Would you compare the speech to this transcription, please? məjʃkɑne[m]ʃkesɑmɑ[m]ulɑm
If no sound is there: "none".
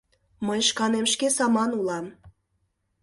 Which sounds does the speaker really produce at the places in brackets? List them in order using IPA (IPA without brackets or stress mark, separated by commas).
m, n